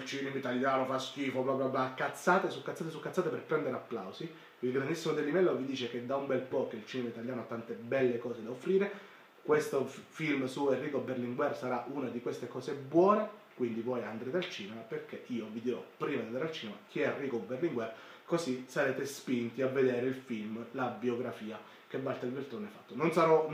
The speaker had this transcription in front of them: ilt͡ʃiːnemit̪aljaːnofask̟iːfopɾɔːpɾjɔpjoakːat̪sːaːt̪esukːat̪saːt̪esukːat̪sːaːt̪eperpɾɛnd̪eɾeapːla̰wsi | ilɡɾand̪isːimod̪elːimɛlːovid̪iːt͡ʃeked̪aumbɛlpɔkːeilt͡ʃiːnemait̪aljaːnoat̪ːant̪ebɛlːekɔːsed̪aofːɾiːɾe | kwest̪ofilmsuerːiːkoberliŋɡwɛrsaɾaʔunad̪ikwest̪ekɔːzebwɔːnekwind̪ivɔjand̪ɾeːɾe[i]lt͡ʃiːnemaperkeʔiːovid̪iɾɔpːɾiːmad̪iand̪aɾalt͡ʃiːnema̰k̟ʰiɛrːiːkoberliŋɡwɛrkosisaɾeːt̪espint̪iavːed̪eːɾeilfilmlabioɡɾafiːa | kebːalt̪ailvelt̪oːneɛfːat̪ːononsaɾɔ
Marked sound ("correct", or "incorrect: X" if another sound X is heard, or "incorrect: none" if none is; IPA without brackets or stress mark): incorrect: a